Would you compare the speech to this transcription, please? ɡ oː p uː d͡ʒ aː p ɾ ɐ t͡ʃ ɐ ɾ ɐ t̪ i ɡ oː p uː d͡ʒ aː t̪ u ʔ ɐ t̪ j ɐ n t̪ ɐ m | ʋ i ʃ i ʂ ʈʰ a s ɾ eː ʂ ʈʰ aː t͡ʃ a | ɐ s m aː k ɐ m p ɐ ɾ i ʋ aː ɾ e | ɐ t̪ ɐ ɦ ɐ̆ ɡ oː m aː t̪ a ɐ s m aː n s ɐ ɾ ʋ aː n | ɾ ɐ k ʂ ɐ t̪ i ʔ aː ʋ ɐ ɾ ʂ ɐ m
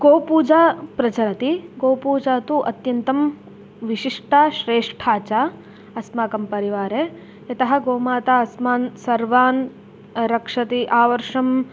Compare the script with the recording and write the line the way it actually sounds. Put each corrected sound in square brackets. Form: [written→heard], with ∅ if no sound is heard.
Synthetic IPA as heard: ɡ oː p uː d͡ʒ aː p ɾ ɐ t͡ʃ ɐ ɾ ɐ t̪ i ɡ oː p uː d͡ʒ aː t̪ u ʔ ɐ t̪ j ɐ n t̪ ɐ m | ʋ i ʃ i ʂ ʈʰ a [s→ʃ] ɾ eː ʂ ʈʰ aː t͡ʃ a | ɐ s m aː k ɐ m p ɐ ɾ i ʋ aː ɾ e | ɐ t̪ ɐ ɦ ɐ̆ ɡ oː m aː t̪ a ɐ s m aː n s ɐ ɾ ʋ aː n | ɾ ɐ k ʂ ɐ t̪ i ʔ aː ʋ ɐ ɾ ʂ ɐ m